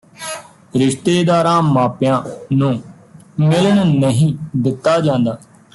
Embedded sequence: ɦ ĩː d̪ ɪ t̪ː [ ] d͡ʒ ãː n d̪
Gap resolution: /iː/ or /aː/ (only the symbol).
aː